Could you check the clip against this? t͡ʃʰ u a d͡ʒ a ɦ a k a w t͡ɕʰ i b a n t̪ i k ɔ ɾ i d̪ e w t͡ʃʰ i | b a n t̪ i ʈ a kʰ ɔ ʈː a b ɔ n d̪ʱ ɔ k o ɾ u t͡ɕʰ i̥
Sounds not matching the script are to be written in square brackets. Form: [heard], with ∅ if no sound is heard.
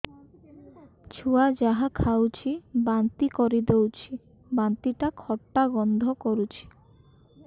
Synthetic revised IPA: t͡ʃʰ u a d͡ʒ a ɦ a [kʰ] a w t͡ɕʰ i b a n t̪ i k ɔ ɾ i d̪ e w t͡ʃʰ i | b a n t̪ i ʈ a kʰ ɔ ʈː a [ɡ] ɔ n d̪ʱ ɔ k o ɾ u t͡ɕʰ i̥